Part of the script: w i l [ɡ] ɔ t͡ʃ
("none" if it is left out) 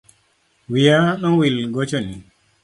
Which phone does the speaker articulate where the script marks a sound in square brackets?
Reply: ɡ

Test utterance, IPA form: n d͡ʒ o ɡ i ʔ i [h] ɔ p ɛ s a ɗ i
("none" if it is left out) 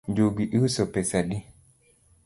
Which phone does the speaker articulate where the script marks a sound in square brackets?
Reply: s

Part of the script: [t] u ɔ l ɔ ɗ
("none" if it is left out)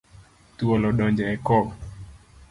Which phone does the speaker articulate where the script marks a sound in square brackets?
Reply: t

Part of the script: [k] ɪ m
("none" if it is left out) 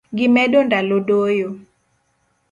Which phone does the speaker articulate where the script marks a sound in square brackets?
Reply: ɡ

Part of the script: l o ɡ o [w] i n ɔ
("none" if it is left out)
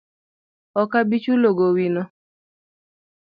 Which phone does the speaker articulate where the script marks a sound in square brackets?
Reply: w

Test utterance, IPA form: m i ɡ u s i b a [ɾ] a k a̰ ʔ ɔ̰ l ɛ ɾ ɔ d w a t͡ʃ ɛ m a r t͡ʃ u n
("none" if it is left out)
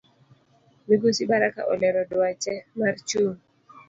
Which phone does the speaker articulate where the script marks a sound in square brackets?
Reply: ɾ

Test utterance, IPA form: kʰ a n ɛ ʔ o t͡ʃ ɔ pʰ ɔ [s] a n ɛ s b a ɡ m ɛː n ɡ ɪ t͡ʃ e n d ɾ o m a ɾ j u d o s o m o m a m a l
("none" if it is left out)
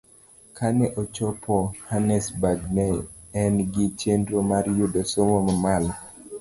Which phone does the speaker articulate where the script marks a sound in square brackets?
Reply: h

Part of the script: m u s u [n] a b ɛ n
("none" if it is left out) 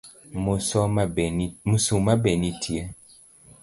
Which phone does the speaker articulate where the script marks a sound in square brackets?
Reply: m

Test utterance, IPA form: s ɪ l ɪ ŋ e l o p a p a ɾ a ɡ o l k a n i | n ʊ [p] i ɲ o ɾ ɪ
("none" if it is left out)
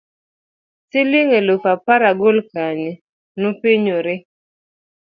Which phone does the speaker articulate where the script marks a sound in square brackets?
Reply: p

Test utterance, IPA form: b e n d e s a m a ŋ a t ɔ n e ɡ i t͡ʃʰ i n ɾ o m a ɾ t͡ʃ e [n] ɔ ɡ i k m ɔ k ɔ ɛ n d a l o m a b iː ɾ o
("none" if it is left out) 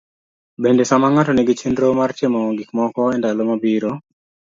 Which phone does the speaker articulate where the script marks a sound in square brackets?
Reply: m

